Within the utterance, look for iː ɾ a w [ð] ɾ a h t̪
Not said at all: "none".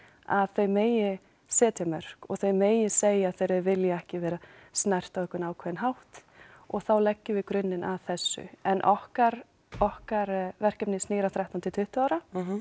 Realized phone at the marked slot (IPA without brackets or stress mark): θ